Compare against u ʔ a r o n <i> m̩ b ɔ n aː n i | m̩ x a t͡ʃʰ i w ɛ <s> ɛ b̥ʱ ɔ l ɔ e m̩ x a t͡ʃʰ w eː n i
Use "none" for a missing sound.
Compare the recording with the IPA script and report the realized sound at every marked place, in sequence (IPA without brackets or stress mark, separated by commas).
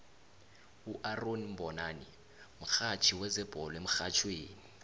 i, z